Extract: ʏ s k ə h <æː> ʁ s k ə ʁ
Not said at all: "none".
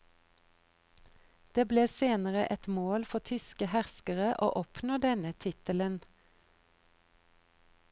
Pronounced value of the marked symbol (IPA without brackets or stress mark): æ